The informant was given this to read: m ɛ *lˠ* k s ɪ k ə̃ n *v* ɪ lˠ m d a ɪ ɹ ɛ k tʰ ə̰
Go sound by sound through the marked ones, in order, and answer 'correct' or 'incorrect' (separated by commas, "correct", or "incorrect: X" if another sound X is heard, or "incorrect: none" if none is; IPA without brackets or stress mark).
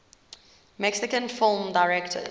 incorrect: none, incorrect: f